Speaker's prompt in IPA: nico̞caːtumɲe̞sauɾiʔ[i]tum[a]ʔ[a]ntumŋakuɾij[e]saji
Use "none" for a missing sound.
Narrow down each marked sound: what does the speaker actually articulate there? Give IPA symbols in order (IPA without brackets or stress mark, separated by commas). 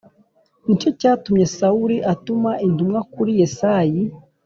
a, a, i, e